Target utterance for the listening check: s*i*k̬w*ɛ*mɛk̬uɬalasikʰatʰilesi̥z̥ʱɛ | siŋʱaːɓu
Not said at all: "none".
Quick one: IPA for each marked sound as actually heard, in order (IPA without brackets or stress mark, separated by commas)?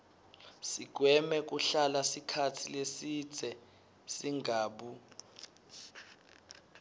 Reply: i, ɛ